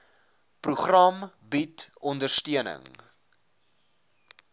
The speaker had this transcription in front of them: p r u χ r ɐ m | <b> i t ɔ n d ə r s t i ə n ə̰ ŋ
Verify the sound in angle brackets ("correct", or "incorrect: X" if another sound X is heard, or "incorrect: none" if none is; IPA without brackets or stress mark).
correct